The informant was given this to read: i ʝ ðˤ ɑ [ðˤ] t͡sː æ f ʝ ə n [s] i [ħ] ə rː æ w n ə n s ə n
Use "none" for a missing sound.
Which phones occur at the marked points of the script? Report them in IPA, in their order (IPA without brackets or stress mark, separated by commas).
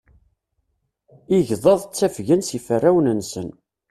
ðˤ, s, f